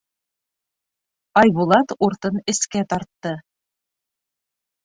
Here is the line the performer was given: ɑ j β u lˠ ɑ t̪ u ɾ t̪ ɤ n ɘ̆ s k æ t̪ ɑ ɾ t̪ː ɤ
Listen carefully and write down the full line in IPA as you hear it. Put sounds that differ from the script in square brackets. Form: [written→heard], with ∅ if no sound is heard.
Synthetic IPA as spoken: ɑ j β u lˠ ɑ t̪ u ɾ t̪ ɤ n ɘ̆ s k æ t̪ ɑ ɾ t̪ː ɤ